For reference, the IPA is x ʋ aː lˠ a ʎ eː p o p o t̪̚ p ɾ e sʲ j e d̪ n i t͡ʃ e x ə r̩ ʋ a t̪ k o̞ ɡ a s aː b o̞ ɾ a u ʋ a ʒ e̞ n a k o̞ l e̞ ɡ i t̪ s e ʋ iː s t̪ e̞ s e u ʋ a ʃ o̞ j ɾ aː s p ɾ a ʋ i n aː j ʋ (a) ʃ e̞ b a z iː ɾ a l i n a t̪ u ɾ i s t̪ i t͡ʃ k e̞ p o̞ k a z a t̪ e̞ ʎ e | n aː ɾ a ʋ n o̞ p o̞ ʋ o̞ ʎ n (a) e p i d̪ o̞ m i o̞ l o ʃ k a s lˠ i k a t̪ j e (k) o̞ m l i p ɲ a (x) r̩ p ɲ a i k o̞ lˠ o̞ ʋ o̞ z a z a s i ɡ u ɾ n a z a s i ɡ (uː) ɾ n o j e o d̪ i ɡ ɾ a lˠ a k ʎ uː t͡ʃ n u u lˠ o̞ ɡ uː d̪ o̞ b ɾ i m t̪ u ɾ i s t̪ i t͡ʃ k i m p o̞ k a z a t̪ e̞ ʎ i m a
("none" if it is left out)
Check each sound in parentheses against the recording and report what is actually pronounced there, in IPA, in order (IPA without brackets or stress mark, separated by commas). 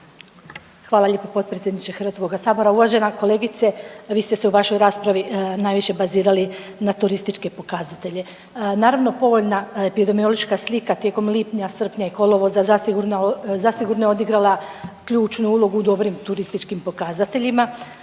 i, a, k, s, u